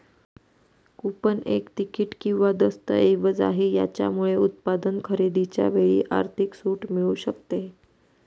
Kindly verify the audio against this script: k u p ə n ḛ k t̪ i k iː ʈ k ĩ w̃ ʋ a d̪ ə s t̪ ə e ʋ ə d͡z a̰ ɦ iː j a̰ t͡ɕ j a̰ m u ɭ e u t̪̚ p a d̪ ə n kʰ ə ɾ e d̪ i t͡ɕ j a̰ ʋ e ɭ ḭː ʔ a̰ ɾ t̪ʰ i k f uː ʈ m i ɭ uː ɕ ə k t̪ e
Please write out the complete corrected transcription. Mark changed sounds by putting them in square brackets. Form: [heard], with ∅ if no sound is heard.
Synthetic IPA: k u p ə n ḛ k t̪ i k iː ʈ k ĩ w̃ ʋ a d̪ ə s t̪ ə e ʋ ə d͡z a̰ ɦ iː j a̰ t͡ɕ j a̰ m u ɭ e u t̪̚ p a d̪ ə n kʰ ə ɾ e d̪ i t͡ɕ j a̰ ʋ e ɭ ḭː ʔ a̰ ɾ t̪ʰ i k [s] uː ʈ m i ɭ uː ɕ ə k t̪ e

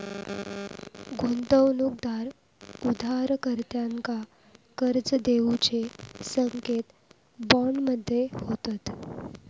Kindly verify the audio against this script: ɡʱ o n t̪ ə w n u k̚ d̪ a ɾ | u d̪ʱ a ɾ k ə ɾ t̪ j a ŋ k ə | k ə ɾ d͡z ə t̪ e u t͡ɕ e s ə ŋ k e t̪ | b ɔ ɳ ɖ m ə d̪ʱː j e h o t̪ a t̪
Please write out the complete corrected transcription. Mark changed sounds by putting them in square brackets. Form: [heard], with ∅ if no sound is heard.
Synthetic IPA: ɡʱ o n t̪ ə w n u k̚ d̪ a ɾ | u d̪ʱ a ɾ k ə ɾ t̪ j a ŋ k [a] | k ə ɾ d͡z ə [d̪] e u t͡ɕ e s ə ŋ k e t̪ | b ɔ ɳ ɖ m ə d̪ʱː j e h o t̪ a t̪

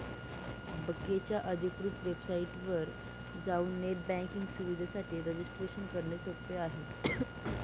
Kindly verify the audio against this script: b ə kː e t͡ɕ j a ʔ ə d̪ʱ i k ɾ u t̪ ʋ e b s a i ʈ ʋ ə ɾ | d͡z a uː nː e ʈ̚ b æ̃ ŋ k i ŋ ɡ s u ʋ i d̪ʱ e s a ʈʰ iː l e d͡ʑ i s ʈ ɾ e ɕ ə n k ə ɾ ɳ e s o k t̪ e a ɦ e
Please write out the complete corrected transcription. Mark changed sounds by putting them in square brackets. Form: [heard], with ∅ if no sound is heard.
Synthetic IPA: b ə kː e t͡ɕ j a ʔ ə d̪ʱ i k ɾ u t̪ ʋ e b s a i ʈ ʋ ə ɾ | d͡z a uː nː e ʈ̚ b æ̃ ŋ k i ŋ ɡ s u ʋ i d̪ʱ [a] s a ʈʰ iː [ɾ] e d͡ʑ i s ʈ ɾ e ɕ ə n k ə ɾ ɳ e s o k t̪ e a ɦ e

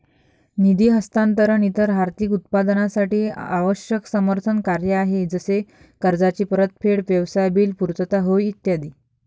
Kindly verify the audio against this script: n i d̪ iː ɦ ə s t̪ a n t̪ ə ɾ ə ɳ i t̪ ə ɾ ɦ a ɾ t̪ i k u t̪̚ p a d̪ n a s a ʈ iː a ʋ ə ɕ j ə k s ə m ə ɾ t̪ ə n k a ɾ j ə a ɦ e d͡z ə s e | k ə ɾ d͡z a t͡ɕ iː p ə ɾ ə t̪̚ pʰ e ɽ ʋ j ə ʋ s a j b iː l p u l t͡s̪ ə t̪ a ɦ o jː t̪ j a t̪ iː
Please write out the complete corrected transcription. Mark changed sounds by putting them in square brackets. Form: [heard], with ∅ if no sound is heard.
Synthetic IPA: n i d̪ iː ɦ ə s t̪ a n t̪ ə ɾ ə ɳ i t̪ ə ɾ ɦ a ɾ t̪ i k u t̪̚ p a d̪ n a s a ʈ iː a ʋ ə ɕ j ə k s ə m ə ɾ [t̪ʰ] ə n k a ɾ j ə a ɦ e d͡z ə s e | k ə ɾ d͡z a t͡ɕ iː p ə ɾ ə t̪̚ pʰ e ɽ ʋ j ə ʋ s a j b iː l p u [ɾ] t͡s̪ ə t̪ a ɦ o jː t̪ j a [d̪] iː

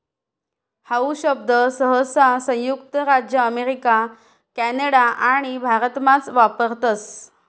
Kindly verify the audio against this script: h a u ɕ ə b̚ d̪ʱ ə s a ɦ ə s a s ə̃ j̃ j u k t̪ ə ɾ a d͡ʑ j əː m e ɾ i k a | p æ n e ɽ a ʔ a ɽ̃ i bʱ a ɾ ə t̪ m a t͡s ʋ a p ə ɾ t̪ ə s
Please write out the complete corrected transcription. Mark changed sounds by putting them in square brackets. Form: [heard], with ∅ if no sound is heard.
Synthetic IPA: h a u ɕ ə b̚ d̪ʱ ə s [ə] ɦ ə s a s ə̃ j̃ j u k t̪ ə ɾ a d͡ʑ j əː m e ɾ i k a | [k] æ n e ɽ a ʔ a ɽ̃ i bʱ a ɾ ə t̪ m a t͡s ʋ a p ə ɾ t̪ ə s

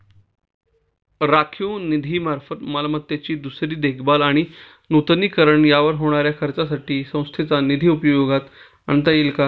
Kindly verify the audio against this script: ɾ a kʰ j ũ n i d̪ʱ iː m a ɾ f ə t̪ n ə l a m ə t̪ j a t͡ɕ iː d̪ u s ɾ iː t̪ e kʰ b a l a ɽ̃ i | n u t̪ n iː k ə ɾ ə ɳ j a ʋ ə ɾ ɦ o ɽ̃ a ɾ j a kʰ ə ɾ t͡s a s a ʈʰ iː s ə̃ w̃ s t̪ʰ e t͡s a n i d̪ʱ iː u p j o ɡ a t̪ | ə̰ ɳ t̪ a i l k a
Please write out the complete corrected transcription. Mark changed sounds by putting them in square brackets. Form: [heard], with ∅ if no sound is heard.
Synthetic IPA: ɾ a kʰ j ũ n i d̪ʱ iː m a ɾ f ə t̪ [m] ə l a m ə t̪ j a t͡ɕ iː d̪ u s ɾ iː [d̪] e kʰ b a l a ɽ̃ i | n u t̪ n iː k ə ɾ ə ɳ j a ʋ ə ɾ ɦ o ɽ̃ a ɾ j a kʰ ə ɾ t͡s a s a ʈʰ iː s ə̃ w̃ s t̪ʰ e t͡s a n i d̪ʱ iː u p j o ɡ a t̪ | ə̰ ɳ t̪ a i l k a

